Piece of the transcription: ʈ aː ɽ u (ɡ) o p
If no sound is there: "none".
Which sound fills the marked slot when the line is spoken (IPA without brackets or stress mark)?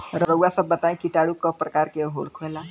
k